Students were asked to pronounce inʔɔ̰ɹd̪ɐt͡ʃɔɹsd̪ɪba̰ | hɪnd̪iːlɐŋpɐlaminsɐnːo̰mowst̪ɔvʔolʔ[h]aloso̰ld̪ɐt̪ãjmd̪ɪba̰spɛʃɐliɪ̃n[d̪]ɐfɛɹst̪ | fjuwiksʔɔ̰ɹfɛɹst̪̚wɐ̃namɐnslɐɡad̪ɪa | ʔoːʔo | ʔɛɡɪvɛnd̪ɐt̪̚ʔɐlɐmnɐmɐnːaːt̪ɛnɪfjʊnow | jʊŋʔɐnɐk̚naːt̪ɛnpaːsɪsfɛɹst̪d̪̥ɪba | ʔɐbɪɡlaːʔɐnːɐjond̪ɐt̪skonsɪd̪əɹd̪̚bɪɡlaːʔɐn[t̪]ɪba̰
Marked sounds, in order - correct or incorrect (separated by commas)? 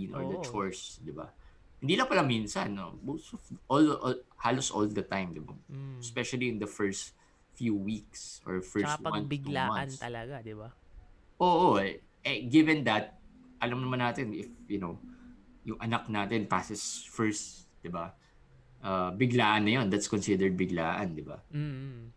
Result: correct, correct, incorrect